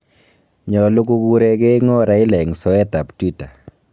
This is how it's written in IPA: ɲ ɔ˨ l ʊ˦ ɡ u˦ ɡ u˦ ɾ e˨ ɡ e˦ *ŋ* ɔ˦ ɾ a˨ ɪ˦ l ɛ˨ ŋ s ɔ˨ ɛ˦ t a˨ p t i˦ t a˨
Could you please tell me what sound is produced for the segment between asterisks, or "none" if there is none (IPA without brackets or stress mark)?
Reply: ŋ